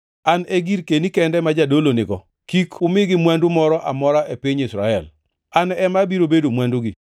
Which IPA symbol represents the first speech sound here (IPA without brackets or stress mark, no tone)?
a